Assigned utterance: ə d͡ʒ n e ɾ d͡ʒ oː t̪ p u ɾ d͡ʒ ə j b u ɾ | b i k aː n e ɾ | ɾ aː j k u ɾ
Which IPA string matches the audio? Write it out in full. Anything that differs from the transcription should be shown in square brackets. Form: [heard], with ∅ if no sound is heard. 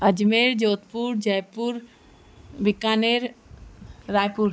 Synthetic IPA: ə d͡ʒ [m] e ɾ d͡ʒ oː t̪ p u ɾ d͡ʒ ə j [p] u ɾ | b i k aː n e ɾ | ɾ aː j [p] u ɾ